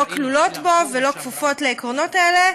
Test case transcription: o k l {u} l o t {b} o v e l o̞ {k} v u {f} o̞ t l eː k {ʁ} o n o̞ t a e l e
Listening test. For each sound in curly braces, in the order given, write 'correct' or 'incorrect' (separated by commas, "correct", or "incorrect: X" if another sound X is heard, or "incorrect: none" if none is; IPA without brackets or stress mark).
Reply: correct, correct, correct, correct, correct